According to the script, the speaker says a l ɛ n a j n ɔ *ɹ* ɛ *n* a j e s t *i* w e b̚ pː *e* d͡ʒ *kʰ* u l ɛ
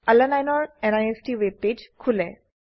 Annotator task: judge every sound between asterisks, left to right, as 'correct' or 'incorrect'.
correct, correct, correct, correct, correct

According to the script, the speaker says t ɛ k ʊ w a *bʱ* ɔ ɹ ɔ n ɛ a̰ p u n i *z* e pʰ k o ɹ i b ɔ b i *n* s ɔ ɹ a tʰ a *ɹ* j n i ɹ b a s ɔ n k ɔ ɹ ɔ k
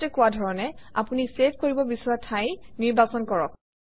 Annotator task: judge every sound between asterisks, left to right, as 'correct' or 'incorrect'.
incorrect: dʱ, incorrect: s, incorrect: none, incorrect: none

